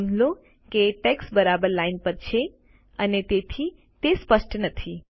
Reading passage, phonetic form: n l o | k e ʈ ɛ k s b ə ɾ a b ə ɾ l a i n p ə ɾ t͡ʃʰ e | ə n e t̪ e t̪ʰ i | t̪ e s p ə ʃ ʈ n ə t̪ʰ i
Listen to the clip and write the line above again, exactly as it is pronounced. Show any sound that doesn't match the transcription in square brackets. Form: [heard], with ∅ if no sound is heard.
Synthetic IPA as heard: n l o | k e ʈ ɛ k s b ə ɾ a b ə ɾ l a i n p ə ɾ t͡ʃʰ e | ə n e t̪ e t̪ʰ i | t̪ e s p ə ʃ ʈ n ə t̪ʰ i